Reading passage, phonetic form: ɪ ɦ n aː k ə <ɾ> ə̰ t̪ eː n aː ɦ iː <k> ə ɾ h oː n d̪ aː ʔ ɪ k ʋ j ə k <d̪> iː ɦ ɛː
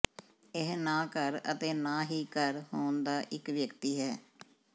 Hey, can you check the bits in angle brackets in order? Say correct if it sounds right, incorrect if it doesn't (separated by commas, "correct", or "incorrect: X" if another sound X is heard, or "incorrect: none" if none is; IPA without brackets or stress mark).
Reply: correct, correct, incorrect: t̪